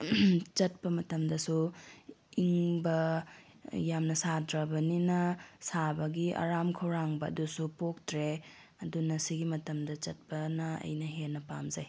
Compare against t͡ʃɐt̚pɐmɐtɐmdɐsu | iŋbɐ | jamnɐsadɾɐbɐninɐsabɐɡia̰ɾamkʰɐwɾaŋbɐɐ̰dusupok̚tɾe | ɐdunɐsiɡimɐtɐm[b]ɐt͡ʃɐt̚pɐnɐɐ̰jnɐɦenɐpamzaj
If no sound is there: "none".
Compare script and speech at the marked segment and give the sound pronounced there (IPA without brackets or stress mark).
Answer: d